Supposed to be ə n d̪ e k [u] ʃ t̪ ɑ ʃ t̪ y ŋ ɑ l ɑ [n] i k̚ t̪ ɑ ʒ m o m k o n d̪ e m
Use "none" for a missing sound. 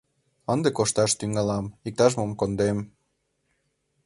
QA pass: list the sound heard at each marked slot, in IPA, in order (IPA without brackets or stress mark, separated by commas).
o, m